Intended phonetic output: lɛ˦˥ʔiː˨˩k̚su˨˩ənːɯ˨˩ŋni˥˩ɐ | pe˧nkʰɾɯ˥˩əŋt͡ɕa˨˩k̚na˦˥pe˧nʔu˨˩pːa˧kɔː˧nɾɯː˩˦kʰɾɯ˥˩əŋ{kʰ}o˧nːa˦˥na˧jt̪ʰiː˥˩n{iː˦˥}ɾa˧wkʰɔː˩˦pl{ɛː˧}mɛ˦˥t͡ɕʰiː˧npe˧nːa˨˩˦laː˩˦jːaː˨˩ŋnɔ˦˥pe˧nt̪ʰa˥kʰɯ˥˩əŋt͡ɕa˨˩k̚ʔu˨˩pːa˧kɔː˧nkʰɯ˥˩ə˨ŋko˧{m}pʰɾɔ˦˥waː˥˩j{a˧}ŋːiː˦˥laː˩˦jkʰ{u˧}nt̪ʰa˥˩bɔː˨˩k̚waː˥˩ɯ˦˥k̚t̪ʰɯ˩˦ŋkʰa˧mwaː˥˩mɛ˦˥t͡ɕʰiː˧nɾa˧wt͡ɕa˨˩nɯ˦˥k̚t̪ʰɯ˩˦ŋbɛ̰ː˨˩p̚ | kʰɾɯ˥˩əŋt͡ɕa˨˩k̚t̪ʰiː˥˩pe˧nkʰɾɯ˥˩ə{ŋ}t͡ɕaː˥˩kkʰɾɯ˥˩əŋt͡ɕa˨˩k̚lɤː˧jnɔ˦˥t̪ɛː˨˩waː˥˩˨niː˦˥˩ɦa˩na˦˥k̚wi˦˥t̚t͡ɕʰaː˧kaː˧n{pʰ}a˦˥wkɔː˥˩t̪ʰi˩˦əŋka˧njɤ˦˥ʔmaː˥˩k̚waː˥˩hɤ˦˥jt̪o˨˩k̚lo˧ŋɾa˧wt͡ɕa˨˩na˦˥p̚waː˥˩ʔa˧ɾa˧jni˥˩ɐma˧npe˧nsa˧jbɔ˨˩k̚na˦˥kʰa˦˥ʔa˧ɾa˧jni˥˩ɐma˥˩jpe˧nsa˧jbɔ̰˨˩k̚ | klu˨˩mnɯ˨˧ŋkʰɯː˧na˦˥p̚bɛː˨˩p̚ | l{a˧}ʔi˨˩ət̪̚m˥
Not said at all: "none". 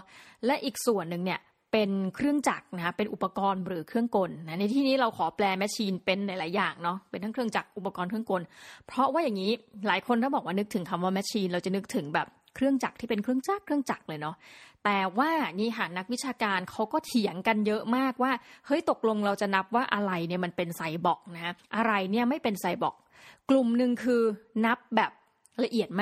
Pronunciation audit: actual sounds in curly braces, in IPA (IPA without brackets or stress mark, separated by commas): k, iː˦˥, ɛː˧, n, a˨˩, o˧, ŋ, kʰ, a˧